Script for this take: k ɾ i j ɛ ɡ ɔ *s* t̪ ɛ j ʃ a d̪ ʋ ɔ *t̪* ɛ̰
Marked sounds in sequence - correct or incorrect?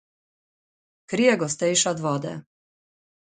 correct, incorrect: d̪

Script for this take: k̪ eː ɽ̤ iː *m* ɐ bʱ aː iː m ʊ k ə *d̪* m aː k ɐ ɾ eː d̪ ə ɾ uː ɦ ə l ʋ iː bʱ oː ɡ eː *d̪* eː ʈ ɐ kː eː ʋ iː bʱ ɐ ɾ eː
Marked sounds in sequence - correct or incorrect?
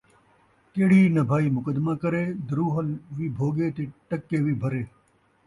incorrect: n, correct, incorrect: t̪

